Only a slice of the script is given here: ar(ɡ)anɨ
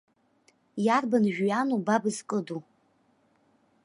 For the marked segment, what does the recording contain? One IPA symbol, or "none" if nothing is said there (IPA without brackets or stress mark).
b